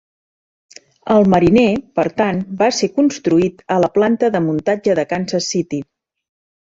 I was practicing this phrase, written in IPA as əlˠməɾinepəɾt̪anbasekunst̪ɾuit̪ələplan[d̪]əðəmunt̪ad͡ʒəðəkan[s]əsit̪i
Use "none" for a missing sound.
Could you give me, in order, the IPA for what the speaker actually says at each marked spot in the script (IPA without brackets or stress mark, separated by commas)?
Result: t̪, s